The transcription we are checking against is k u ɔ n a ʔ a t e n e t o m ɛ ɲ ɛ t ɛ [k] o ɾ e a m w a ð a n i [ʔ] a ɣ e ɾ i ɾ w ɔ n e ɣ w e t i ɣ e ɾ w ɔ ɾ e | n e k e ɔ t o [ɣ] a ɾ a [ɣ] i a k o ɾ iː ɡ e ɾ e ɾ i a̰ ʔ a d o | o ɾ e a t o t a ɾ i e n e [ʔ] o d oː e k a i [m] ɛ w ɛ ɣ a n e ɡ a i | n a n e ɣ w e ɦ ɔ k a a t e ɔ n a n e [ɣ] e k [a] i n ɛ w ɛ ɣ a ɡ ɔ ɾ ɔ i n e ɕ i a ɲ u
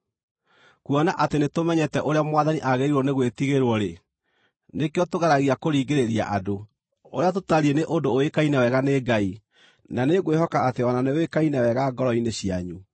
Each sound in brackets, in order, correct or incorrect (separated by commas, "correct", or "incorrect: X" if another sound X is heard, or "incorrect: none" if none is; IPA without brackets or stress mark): incorrect: ʔ, correct, correct, correct, correct, incorrect: n, incorrect: w, correct